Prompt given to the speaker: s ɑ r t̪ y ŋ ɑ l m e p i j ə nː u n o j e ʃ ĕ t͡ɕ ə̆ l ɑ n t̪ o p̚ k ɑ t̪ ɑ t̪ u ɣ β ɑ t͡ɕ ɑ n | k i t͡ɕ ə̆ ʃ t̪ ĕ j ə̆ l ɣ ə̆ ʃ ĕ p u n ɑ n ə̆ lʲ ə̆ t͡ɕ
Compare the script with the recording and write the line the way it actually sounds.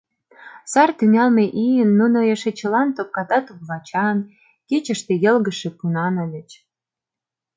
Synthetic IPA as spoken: s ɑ r t̪ y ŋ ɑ l m e ʔ i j ə nː u n o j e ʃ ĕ t͡ɕ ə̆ l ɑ n t̪ o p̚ k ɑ t̪ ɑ t̪ u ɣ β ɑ t͡ɕ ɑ n | k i t͡ɕ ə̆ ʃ t̪ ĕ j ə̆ l ɣ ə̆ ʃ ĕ p u n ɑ n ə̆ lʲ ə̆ t͡ɕ

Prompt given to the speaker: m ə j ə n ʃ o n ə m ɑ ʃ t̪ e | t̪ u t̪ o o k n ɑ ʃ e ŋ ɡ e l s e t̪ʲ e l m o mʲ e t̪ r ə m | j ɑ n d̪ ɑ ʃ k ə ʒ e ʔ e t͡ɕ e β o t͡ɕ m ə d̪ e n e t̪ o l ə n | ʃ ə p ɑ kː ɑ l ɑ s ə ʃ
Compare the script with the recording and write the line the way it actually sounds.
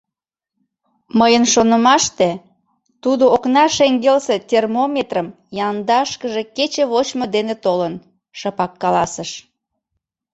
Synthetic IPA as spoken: m ə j ə n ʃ o n ə m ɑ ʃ t̪ e | t̪ u d̪ o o k n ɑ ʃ e ŋ ɡ e l s e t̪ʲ e r m o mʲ e t̪ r ə m | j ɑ n d̪ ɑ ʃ k ə ʒ e k e t͡ɕ e β o t͡ɕ m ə d̪ e n e t̪ o l ə n | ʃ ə p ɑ kː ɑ l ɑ s ə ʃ

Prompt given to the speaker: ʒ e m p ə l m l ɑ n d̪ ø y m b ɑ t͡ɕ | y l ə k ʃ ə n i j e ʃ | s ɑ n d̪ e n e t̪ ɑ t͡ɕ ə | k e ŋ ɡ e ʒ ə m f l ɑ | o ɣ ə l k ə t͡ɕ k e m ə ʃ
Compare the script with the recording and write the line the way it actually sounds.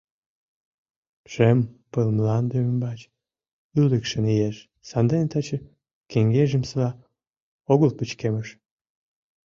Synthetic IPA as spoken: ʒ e m p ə l m l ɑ n d̪ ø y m b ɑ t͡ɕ | y l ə k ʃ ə n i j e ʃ | s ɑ n d̪ e n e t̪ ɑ t͡ɕ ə | k e ŋ ɡ e ʒ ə m s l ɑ | o ɣ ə l p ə t͡ɕ k e m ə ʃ

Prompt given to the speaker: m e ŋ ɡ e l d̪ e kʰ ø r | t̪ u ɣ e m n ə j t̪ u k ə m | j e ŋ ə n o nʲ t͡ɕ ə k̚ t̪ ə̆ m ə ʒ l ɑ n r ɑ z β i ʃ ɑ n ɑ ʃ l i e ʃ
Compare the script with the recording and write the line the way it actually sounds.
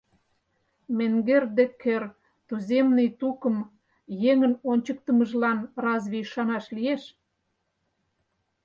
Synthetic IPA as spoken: m e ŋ ɡ e r d̪ e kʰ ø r | t̪ u z e m n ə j t̪ u k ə m | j e ŋ ə n o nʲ t͡ɕ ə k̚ t̪ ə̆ m ə ʒ l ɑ n r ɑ z β i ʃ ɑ n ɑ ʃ l i e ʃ

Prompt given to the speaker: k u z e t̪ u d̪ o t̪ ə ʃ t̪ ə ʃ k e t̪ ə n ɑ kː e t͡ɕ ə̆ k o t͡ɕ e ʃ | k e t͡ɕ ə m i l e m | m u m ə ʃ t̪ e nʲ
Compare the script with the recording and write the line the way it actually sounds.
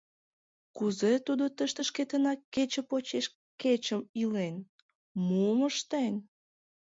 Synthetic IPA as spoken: k u z e t̪ u d̪ o t̪ ə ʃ t̪ ə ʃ k e t̪ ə n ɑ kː e t͡ɕ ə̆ p o t͡ɕ e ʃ | k e t͡ɕ ə m i l e n | m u m ə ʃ t̪ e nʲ

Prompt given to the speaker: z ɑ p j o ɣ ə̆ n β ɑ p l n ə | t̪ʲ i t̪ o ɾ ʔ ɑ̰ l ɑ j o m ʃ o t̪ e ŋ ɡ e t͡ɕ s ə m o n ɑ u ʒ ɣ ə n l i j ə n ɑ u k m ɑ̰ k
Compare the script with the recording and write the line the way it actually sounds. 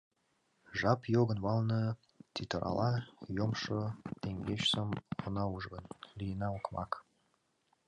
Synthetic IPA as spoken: ʒ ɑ p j o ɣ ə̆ n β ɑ l n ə | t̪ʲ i t̪ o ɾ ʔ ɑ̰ l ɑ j o m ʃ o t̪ e ŋ ɡ e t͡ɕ s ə m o n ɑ u ʒ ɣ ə n l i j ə n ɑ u k m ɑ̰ k

